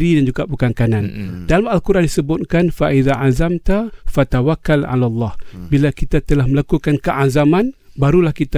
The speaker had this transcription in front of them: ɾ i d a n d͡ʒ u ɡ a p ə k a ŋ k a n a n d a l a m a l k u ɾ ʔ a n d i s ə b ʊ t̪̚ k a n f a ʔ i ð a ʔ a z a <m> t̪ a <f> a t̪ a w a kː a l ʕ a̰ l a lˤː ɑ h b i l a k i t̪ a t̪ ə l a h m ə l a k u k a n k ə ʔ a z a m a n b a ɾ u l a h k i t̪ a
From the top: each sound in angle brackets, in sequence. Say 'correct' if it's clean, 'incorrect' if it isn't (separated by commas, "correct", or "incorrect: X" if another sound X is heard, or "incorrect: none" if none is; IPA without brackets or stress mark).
correct, correct